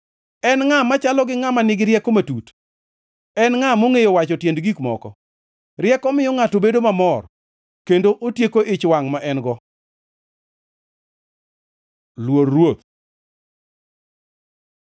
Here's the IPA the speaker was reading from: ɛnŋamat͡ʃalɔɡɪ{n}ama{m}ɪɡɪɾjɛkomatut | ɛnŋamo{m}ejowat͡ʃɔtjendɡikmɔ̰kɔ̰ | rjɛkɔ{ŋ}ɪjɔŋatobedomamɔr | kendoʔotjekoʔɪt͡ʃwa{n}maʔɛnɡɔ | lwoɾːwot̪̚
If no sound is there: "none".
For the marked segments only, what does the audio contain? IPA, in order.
ŋ, n, ŋ, m, ŋ

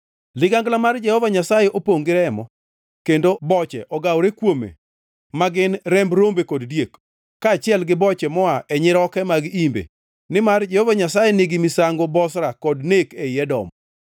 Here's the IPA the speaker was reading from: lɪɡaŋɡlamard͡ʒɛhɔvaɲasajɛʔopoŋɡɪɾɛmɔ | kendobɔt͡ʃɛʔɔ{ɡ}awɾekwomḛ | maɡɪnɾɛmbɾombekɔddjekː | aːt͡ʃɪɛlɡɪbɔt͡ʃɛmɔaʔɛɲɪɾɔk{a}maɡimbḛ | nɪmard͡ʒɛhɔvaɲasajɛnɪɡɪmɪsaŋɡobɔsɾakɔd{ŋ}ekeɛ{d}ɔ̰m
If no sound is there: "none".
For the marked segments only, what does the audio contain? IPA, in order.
ɡ, ɛ, n, d

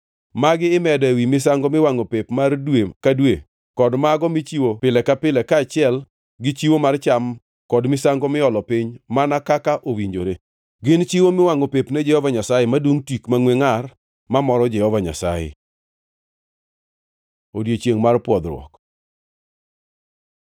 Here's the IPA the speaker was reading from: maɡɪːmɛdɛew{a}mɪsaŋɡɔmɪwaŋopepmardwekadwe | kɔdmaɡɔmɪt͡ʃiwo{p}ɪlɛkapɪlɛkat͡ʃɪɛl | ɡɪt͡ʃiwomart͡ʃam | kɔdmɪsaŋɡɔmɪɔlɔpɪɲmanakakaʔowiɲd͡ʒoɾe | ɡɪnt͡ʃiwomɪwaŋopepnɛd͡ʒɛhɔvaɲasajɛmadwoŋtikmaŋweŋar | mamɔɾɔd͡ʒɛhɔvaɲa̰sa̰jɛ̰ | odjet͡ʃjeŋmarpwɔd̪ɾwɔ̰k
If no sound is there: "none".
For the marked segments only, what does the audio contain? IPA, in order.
i, p

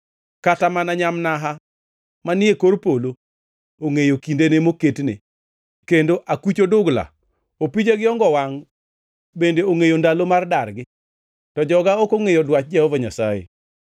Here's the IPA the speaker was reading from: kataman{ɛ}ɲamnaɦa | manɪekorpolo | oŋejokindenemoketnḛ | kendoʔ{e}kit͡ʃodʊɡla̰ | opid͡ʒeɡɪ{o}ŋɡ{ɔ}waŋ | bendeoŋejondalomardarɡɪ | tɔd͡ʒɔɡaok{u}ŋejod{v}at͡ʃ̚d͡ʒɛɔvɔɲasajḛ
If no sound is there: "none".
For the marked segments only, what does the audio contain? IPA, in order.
a, a, ɔ, ɔ, o, w

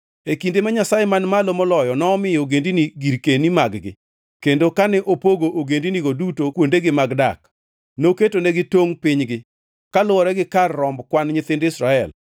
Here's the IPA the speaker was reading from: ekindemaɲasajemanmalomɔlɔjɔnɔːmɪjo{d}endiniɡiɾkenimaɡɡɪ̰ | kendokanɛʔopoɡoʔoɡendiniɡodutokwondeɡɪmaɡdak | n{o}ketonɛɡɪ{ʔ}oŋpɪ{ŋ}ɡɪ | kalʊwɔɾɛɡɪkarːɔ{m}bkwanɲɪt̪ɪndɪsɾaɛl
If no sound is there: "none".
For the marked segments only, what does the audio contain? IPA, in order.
ɡ, o, t, ɲ, m

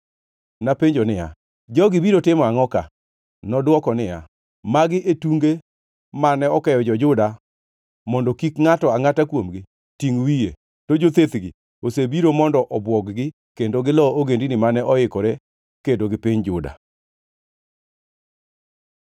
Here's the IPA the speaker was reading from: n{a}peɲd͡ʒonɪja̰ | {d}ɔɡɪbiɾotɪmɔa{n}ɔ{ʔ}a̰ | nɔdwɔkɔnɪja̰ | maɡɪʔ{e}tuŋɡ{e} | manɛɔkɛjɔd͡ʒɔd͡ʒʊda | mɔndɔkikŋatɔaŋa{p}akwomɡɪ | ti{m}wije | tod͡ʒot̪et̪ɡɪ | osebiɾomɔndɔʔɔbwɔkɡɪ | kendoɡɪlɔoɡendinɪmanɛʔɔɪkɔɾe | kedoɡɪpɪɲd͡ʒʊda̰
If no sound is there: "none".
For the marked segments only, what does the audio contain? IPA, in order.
a, d͡ʒ, ŋ, k, e, e, t, ŋ

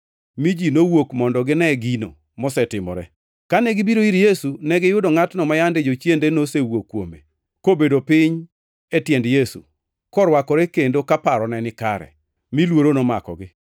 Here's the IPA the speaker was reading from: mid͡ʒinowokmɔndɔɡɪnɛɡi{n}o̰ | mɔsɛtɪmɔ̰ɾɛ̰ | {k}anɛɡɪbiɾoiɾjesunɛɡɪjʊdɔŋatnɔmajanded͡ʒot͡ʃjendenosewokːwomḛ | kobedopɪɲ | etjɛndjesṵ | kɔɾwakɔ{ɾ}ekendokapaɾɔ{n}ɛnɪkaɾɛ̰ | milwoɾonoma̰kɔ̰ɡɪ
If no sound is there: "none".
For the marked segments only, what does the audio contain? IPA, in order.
n, k, ɾ, n

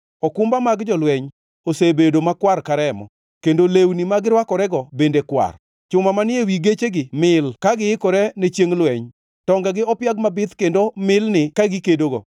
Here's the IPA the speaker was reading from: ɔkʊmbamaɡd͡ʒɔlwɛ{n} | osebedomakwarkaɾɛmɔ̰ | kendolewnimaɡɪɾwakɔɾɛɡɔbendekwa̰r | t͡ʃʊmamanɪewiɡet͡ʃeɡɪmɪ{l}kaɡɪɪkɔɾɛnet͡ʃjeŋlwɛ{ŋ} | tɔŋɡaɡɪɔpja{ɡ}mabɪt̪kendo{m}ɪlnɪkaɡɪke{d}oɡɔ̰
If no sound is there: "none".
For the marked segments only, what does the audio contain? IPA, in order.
ɲ, l, ɲ, ɡ, m, d

